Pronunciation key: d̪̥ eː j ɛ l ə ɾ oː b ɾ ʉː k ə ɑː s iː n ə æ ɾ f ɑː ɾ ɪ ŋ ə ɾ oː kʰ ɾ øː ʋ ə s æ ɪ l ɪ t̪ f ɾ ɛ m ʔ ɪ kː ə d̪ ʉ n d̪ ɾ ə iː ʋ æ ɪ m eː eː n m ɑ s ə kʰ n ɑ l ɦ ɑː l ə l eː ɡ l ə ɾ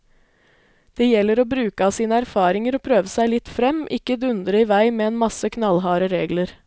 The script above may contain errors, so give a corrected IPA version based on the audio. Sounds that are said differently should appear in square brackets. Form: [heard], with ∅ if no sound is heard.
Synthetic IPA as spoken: d̪̥ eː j ɛ l ə ɾ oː b ɾ ʉː k ə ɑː s iː n ə æ ɾ f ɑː ɾ ɪ ŋ ə ɾ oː [pʰ] ɾ øː ʋ ə s æ ɪ l ɪ t̪ f ɾ ɛ m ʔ ɪ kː ə d̪ ʉ n d̪ ɾ ə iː ʋ æ ɪ m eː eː n m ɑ s ə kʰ n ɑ l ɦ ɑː [ɾ] ə [ɾ] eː ɡ l ə ɾ